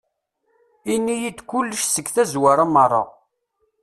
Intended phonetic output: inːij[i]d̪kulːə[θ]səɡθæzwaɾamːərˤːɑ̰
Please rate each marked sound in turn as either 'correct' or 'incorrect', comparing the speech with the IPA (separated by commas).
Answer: correct, incorrect